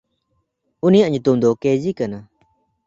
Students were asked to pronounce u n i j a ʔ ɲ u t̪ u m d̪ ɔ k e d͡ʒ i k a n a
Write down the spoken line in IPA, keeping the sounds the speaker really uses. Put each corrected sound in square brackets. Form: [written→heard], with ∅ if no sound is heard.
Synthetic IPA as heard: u n i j a ʔ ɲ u t̪ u m d̪ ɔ k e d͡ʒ i k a n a